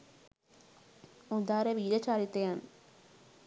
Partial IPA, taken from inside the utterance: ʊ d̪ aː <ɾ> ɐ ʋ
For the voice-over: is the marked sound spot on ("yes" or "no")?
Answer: yes